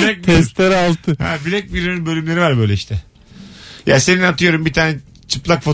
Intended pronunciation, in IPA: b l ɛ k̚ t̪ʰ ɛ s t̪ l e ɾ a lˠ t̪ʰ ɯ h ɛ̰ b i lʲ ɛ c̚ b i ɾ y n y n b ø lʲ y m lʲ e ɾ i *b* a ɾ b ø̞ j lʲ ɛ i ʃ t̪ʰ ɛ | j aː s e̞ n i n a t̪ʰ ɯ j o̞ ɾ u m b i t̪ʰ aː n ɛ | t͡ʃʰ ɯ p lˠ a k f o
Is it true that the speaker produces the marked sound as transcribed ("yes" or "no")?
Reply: no